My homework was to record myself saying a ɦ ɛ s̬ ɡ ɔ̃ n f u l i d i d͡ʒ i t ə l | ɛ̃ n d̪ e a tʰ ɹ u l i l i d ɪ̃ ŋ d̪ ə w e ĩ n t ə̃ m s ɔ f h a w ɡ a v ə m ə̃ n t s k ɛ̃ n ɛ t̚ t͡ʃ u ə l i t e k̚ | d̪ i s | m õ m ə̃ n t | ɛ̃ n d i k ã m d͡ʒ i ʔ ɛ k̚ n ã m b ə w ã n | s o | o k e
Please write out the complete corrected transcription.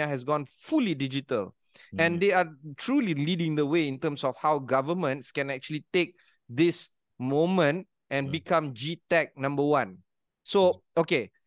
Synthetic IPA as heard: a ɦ ɛ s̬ ɡ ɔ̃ n f u l i d i d͡ʒ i t ə l | ɛ̃ n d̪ e a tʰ ɹ u l i l i d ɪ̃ ŋ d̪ ə w e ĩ n t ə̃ m s ɔ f h a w ɡ a v ə m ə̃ n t s k ɛ̃ n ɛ k̚ t͡ʃ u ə l i t e k̚ | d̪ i s | m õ m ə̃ n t | ɛ̃ n b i k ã m d͡ʒ i t ɛ k̚ n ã m b ə w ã n | s o | o k e